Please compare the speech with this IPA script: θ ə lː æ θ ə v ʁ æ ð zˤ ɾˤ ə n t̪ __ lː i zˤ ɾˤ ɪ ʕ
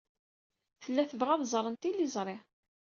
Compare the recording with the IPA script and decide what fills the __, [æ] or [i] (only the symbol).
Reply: i